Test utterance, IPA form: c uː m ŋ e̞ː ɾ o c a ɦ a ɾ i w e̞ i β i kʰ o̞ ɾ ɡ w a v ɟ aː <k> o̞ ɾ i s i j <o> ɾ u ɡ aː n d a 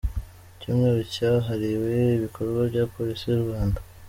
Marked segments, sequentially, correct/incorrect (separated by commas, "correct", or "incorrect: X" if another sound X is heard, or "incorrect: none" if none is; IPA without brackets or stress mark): incorrect: p, incorrect: u